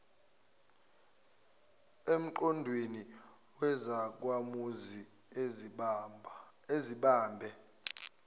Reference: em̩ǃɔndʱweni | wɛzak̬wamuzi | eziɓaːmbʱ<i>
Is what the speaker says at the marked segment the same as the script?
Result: no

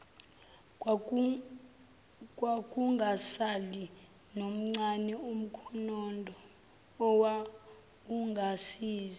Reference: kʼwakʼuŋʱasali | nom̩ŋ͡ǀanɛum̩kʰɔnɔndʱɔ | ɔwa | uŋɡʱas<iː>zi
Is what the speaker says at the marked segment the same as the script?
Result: yes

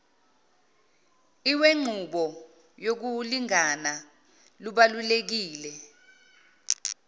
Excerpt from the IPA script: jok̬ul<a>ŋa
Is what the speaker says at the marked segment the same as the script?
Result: no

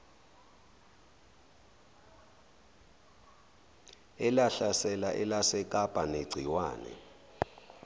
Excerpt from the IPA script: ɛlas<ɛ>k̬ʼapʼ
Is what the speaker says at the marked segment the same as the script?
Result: yes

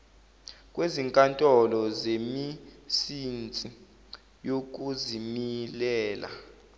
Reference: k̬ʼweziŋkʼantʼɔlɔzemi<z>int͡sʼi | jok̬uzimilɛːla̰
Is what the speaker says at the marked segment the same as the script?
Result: no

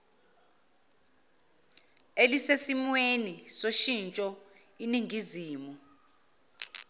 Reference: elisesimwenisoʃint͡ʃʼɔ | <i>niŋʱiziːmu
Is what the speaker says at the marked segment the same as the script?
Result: yes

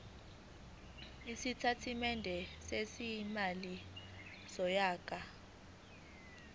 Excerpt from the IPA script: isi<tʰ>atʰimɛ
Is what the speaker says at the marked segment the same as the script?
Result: yes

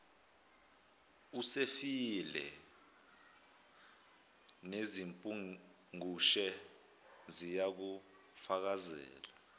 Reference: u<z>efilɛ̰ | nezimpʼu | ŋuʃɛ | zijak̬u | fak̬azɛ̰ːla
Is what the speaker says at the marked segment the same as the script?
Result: no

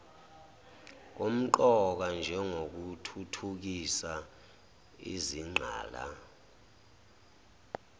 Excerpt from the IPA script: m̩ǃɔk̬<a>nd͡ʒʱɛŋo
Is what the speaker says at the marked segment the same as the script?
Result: yes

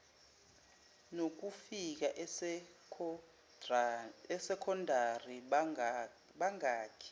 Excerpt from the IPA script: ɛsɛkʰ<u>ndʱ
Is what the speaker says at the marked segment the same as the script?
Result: no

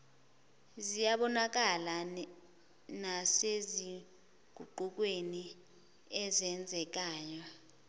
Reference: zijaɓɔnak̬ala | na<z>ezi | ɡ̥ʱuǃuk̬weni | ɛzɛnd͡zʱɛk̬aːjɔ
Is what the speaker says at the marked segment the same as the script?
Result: no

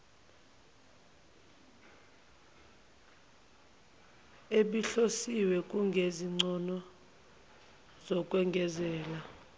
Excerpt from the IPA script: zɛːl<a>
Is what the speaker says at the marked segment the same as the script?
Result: yes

